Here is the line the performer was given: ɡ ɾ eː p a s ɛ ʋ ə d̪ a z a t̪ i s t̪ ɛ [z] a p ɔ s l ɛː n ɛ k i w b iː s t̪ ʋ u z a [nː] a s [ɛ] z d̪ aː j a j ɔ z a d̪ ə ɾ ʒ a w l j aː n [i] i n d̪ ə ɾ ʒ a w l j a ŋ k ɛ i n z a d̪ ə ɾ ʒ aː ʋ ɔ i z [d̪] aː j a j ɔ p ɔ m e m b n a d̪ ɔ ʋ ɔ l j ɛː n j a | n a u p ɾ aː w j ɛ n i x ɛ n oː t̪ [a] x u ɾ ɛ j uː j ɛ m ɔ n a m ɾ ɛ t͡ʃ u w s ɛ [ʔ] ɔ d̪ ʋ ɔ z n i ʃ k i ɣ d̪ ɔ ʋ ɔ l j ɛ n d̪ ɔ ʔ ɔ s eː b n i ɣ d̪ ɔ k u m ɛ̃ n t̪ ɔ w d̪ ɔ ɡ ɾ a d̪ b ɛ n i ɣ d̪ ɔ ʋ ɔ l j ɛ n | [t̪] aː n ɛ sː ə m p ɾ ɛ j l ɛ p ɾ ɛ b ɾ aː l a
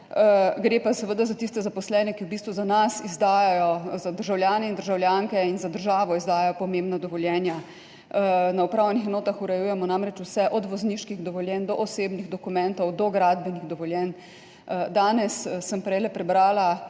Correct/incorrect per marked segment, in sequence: correct, incorrect: n, incorrect: i, incorrect: ɛ, correct, correct, correct, incorrect: d̪

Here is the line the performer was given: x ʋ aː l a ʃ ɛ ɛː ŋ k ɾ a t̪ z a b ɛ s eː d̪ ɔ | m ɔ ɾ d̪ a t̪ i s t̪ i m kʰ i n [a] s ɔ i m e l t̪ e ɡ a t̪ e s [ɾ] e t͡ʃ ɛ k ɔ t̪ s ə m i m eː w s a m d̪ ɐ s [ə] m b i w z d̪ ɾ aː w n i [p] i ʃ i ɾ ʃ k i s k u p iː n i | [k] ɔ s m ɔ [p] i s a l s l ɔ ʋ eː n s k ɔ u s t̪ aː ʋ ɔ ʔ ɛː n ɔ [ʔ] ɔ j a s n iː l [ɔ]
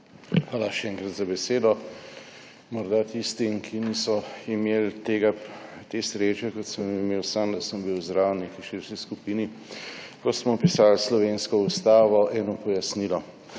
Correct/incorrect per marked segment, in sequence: incorrect: i, correct, correct, incorrect: k, correct, correct, incorrect: p, correct

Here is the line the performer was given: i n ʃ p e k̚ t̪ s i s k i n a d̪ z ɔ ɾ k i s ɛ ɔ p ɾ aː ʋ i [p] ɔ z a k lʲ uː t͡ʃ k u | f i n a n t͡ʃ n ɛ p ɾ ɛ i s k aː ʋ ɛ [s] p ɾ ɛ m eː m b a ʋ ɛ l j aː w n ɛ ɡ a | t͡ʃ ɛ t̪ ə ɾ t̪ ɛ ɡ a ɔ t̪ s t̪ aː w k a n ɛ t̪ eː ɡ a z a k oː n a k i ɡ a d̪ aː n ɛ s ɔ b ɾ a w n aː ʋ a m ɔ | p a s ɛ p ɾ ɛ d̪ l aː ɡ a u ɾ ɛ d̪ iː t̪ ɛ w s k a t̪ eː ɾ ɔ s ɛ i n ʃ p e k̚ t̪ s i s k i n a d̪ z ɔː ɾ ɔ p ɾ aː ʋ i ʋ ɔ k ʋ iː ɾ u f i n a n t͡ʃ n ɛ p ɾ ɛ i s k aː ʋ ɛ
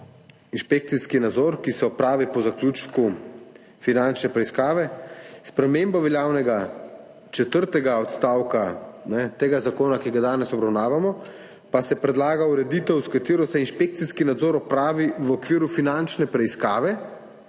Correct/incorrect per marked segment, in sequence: correct, correct

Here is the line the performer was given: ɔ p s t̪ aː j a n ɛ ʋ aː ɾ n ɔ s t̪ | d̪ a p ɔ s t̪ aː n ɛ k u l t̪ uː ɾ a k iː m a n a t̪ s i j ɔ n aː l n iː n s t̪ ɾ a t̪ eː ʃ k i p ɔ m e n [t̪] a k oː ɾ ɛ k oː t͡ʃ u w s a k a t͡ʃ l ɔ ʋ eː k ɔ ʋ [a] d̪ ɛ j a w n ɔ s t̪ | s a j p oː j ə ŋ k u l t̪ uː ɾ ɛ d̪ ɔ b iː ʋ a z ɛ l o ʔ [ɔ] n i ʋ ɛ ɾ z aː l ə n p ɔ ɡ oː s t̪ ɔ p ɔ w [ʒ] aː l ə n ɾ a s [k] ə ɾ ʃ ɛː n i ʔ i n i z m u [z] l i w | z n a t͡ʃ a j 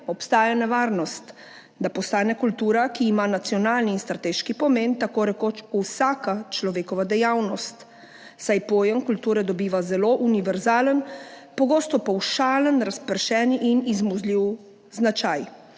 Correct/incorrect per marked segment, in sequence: correct, correct, incorrect: u, incorrect: ʃ, incorrect: p, correct

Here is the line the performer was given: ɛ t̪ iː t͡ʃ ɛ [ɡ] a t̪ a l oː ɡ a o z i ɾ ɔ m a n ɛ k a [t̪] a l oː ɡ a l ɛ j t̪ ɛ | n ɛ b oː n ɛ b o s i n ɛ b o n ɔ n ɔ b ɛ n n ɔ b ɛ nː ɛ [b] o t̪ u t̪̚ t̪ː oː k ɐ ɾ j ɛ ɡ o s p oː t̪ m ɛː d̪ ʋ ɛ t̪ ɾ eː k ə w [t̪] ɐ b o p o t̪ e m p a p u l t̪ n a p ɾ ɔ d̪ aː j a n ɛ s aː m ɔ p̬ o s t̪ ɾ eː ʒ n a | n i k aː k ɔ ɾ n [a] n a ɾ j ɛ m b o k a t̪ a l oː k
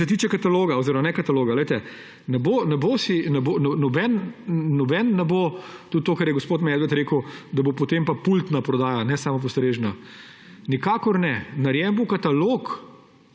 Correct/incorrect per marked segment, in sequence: incorrect: k, correct, correct, incorrect: d̪, incorrect: ɛ

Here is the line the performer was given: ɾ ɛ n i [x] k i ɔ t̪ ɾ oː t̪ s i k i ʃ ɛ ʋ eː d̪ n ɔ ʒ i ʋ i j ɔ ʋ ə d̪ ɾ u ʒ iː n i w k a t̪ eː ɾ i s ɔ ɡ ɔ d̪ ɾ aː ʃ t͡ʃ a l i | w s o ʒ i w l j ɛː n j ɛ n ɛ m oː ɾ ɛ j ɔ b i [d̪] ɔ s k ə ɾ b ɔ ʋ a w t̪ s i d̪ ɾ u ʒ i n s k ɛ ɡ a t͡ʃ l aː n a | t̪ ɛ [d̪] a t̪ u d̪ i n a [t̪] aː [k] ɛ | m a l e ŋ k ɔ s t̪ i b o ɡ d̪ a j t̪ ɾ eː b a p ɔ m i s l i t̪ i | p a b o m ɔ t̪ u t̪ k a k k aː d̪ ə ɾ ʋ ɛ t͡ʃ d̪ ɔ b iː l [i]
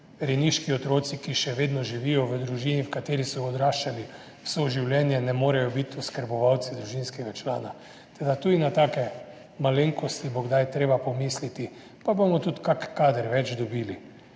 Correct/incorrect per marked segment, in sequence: incorrect: ʃ, incorrect: t̪, correct, correct, correct, correct

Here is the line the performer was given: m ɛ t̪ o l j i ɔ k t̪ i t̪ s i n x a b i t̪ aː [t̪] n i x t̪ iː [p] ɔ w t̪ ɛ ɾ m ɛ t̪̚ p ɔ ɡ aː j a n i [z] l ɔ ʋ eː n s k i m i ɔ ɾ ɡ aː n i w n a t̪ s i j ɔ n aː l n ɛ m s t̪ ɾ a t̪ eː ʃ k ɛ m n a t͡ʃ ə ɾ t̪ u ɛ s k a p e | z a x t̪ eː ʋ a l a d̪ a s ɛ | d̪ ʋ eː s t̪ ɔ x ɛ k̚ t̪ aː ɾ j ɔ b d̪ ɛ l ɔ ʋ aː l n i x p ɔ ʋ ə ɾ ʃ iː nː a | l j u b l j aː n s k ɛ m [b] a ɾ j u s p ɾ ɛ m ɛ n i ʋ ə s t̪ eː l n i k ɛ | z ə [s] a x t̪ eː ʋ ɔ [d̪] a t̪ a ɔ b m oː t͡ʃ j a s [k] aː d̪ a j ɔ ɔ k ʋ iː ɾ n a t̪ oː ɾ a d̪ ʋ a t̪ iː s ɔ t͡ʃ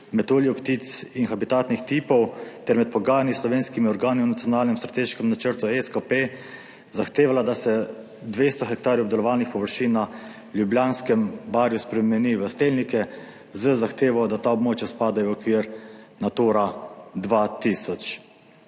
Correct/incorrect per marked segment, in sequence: correct, correct, incorrect: s, correct, incorrect: z, correct, incorrect: p

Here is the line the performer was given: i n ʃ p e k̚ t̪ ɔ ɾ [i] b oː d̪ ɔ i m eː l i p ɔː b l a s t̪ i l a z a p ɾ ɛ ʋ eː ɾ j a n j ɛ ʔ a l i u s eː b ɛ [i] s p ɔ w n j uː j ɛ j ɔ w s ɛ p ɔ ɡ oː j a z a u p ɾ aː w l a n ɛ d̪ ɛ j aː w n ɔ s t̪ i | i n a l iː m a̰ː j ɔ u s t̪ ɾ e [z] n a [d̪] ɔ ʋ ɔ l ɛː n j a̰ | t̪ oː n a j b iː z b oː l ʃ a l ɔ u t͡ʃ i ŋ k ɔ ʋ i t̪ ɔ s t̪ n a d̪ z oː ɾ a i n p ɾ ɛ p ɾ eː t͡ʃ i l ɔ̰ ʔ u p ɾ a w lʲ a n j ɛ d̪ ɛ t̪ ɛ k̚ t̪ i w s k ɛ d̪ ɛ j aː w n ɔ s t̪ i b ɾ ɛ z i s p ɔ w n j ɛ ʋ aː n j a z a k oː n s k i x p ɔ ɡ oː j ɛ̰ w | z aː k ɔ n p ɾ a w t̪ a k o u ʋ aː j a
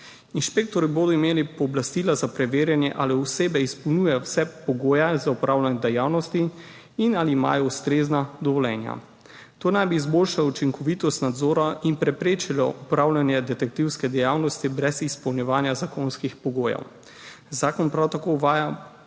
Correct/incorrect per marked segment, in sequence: correct, correct, correct, correct

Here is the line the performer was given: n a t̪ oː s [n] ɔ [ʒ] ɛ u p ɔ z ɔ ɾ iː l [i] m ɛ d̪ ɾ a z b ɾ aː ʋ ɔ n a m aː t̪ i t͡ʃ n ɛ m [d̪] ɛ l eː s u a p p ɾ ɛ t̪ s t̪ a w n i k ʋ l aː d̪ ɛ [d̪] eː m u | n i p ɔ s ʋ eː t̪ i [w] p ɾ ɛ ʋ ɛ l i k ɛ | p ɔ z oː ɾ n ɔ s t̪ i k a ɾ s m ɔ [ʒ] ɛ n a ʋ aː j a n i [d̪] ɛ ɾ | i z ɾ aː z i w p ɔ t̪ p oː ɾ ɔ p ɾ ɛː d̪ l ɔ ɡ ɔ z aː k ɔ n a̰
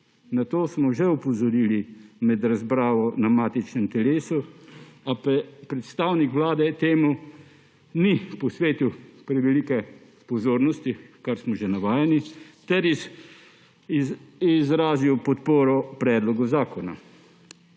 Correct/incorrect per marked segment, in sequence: incorrect: m, correct, correct, incorrect: t̪, incorrect: t̪, correct, correct, incorrect: t̪

